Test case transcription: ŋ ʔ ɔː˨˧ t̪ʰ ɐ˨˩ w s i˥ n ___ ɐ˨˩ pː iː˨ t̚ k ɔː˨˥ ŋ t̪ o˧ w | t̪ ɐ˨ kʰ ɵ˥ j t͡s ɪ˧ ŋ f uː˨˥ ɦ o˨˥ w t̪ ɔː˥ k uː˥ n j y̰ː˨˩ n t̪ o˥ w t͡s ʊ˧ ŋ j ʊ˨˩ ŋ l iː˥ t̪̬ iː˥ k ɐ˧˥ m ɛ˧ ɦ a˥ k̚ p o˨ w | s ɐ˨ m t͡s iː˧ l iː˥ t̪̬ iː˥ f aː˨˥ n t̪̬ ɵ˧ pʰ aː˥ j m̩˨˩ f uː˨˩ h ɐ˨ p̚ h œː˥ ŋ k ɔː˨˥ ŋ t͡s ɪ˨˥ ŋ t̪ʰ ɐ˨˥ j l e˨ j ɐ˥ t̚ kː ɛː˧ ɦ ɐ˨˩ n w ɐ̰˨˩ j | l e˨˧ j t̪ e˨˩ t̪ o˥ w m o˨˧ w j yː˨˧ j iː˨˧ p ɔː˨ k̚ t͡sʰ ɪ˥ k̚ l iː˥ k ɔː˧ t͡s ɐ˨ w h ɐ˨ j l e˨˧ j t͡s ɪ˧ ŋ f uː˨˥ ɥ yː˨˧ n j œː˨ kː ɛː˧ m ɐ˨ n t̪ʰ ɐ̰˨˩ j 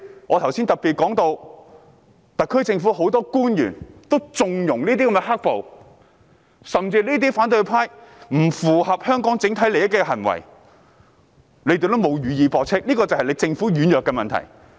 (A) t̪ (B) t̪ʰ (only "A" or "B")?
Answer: A